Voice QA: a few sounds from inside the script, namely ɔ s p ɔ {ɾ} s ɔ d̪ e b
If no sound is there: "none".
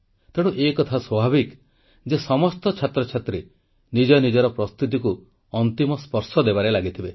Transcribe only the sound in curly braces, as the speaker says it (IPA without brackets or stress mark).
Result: ɾ